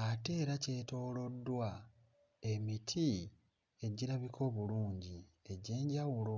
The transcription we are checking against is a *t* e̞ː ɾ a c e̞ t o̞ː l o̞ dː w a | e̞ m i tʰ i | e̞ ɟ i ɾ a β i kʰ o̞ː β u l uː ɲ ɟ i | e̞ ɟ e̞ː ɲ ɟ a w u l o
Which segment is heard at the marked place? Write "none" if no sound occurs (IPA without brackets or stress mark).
t